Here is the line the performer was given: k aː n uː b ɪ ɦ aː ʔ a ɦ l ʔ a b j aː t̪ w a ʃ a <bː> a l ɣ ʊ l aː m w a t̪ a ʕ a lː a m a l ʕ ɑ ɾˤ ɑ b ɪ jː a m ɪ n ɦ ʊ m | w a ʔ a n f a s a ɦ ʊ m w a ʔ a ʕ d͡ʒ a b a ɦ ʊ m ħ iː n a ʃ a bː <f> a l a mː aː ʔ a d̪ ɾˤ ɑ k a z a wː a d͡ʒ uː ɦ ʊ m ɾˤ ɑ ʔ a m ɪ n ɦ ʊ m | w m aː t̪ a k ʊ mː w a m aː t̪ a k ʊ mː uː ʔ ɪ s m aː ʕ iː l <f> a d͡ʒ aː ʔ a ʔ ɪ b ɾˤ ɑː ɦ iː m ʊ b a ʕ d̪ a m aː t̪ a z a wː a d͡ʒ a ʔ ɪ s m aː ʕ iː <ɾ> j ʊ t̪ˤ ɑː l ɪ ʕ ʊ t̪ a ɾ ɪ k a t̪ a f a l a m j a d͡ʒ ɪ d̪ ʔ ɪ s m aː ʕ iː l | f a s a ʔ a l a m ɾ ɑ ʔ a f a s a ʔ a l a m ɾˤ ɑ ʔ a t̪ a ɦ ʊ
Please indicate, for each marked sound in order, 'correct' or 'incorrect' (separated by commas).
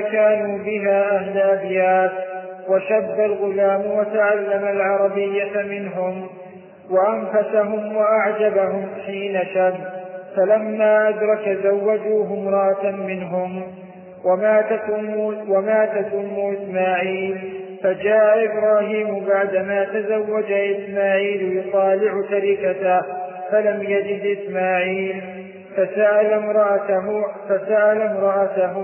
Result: correct, correct, correct, incorrect